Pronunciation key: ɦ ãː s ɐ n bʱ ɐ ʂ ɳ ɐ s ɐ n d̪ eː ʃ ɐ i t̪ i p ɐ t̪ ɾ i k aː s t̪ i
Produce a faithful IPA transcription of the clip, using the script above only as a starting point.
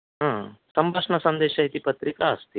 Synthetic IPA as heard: ɦ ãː s ɐ m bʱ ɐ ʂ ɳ ɐ s ɐ n d̪ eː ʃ ɐ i t̪ i p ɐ t̪ ɾ i k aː s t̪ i